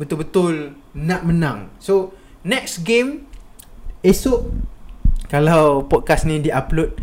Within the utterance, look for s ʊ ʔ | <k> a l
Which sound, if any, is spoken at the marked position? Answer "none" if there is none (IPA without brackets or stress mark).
k